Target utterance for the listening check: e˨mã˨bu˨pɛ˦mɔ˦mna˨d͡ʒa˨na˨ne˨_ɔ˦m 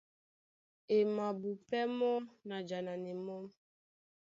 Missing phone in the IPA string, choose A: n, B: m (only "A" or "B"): B